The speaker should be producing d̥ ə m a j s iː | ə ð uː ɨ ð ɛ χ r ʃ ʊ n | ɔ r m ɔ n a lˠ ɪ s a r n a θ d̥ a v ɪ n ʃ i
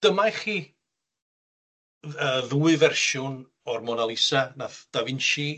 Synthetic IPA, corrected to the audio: d̥ ə m a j χ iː | ə ð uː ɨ v ɛ r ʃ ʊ n | ɔ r m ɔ n a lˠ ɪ s a n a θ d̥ a v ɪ n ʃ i